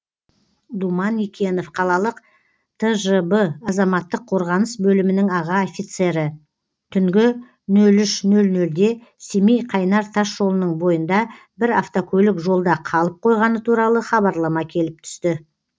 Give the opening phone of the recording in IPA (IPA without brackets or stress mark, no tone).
d̪